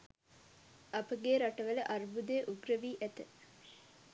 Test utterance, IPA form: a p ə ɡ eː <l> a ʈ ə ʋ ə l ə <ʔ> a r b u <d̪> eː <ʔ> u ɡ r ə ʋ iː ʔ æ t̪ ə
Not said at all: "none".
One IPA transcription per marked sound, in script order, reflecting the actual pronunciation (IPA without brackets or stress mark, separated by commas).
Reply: ɾ, ʔ, d̪, ʔ